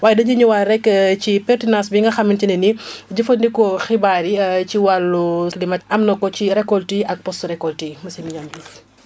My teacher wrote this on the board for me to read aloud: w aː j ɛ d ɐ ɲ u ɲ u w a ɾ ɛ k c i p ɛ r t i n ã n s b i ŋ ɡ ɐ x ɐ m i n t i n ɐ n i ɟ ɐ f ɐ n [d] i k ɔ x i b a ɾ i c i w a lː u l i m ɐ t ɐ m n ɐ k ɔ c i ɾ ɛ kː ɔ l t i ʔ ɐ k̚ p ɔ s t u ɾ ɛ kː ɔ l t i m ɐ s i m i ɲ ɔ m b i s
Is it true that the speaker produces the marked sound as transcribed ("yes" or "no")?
yes